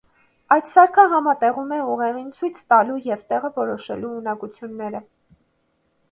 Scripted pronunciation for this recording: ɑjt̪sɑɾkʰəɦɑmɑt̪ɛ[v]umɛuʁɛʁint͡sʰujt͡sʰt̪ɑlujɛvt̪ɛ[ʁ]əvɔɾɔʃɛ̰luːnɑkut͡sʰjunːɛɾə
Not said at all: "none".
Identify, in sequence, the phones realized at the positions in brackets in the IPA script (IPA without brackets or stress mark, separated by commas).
ʁ, ʁ